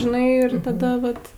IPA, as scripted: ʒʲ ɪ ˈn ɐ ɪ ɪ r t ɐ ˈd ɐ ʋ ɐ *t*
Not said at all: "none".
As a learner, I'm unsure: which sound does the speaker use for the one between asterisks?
t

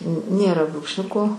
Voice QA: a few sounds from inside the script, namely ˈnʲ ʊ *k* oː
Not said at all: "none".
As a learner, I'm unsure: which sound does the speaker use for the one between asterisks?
k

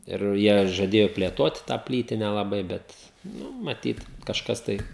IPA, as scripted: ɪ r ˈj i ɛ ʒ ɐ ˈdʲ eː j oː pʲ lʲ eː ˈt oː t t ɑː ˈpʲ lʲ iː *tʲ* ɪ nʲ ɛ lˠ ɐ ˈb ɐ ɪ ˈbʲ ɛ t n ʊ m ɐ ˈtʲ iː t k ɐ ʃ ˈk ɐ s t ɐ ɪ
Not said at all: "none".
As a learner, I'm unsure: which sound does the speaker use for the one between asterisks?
tʲ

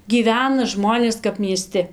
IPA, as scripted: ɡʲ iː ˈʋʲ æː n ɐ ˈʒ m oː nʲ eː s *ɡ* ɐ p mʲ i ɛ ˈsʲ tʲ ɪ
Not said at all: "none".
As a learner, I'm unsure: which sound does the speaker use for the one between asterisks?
k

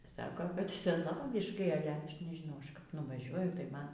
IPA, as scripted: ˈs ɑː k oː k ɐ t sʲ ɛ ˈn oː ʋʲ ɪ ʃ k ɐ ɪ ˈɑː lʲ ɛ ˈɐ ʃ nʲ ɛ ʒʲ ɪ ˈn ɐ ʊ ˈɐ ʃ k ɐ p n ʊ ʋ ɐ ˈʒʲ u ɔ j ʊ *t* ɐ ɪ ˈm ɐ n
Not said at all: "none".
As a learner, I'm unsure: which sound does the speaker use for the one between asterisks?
t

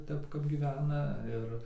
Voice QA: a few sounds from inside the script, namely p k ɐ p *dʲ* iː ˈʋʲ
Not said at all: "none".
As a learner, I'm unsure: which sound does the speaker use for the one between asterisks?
ɡʲ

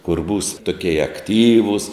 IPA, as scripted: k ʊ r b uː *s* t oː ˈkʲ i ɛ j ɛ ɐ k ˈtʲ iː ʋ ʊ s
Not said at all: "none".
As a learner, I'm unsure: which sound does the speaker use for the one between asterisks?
s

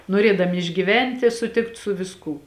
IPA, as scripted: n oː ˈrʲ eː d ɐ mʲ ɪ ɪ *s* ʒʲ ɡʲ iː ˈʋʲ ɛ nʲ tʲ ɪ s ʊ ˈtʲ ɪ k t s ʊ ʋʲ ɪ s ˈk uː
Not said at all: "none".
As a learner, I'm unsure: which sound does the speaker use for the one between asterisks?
none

